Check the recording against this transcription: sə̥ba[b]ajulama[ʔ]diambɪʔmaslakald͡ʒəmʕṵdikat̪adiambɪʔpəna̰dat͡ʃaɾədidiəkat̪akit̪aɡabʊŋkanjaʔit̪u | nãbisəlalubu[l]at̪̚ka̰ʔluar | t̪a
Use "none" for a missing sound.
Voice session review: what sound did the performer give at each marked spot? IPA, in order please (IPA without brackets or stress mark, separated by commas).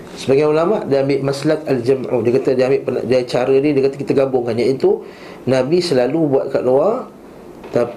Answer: ɡ, ʔ, none